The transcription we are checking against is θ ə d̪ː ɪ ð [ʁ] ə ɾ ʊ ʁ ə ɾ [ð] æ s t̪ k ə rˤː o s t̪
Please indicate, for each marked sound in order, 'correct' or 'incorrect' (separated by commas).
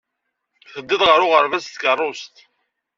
correct, incorrect